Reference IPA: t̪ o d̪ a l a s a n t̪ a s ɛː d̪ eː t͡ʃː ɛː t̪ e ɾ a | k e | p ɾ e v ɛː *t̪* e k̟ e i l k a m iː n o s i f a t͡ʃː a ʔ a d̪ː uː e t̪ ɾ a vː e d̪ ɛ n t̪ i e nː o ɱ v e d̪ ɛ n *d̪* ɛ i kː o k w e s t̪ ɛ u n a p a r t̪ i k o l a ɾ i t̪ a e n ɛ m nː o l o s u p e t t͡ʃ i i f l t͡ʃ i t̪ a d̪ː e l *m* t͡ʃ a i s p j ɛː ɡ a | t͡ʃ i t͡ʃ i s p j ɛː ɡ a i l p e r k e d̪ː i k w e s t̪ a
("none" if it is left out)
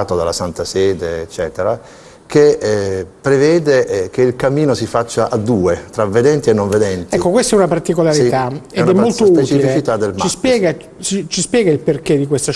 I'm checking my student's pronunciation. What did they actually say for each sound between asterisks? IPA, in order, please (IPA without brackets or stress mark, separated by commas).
d̪, t̪, m